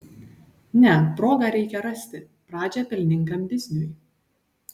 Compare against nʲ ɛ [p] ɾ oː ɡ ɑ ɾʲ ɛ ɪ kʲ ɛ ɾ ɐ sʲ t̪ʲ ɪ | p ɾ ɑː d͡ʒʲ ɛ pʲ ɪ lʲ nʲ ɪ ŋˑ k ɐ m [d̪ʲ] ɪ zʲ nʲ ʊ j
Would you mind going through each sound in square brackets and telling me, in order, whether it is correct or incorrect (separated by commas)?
correct, correct